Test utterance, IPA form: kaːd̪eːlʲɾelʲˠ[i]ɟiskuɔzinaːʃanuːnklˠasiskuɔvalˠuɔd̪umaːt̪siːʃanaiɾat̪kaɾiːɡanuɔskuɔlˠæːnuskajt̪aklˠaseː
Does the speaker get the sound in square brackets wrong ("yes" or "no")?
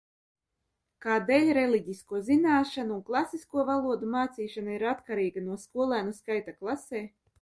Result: no